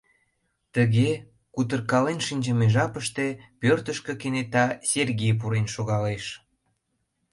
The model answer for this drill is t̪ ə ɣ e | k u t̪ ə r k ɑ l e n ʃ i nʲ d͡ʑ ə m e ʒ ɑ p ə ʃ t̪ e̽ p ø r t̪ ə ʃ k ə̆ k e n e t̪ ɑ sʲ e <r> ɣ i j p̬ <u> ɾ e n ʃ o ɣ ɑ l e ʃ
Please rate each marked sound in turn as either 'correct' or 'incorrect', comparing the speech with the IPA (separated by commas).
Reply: correct, correct